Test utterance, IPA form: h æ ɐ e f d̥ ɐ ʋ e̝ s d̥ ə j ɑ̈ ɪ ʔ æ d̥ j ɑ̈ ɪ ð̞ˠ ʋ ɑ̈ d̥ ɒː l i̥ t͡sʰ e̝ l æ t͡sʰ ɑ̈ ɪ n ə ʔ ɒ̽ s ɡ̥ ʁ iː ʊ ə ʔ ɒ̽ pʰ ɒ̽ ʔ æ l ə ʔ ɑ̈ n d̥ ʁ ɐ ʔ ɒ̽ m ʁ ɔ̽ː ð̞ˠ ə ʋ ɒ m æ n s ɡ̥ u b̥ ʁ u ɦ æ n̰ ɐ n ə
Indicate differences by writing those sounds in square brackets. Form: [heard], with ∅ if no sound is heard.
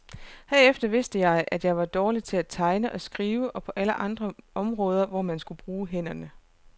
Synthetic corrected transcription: h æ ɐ e f d̥ ɐ ʋ e̝ s d̥ ə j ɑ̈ ɪ ʔ æ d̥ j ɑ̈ ɪ [∅] ʋ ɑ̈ d̥ ɒː l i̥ t͡sʰ e̝ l æ t͡sʰ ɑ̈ ɪ n ə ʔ ɒ̽ s ɡ̥ ʁ iː ʊ ə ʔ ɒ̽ pʰ ɒ̽ ʔ æ l ə ʔ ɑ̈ n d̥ ʁ ɐ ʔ ɒ̽ m ʁ ɔ̽ː ð̞ˠ [ɐ] ʋ ɒ m æ n s ɡ̥ u b̥ ʁ [uː] ɦ [e] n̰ ɐ n ə